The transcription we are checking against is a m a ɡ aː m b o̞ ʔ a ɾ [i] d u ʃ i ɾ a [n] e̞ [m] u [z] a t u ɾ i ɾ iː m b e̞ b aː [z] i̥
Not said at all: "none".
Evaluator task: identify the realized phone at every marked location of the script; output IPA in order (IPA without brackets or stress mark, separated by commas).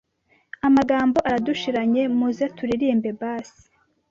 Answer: a, ɲ, m, z, s